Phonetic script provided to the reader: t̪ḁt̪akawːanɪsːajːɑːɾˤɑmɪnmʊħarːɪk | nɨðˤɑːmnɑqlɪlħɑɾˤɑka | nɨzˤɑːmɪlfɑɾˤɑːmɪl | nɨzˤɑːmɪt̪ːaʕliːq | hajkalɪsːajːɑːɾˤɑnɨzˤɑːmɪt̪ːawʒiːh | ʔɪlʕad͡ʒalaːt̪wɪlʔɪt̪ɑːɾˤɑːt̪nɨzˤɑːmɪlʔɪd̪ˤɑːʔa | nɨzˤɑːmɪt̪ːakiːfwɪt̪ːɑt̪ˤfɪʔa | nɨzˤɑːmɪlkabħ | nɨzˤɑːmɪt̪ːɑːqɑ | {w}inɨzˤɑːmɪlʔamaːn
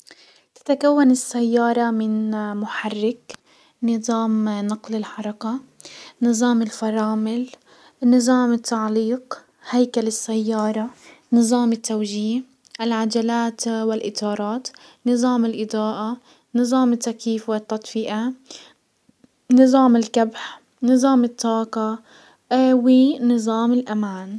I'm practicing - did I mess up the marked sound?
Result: no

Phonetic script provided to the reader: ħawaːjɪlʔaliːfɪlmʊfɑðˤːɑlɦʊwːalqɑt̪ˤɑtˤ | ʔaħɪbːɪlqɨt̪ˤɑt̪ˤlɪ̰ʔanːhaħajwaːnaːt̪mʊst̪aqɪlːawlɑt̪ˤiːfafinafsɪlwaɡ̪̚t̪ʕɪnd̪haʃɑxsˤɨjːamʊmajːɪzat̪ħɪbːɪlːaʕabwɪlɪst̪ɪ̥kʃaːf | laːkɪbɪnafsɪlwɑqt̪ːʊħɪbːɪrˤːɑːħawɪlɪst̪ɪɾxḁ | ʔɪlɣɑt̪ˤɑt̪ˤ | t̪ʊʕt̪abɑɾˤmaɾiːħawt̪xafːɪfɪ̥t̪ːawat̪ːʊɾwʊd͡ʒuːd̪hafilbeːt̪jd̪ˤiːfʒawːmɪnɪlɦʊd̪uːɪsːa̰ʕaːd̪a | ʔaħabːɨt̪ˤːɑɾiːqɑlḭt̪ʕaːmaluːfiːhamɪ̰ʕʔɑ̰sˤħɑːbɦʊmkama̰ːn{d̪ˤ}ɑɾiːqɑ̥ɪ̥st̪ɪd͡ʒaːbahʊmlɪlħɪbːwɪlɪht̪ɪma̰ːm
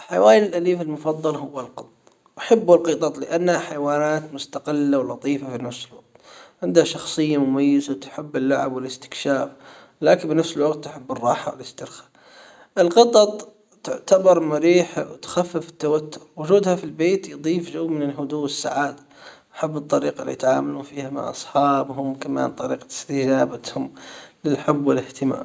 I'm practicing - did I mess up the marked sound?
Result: yes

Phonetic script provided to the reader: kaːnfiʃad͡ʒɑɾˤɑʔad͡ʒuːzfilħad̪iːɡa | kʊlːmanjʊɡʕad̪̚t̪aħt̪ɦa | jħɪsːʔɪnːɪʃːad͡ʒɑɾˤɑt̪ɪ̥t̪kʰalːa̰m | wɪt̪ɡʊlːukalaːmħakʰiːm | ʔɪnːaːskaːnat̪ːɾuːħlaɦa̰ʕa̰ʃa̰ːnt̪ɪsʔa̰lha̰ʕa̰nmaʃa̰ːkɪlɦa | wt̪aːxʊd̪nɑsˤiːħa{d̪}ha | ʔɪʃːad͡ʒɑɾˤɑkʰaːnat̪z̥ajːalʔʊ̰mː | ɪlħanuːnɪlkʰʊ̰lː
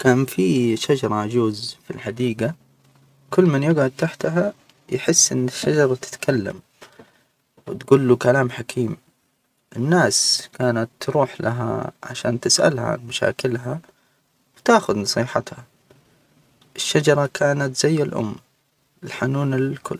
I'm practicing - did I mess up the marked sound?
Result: yes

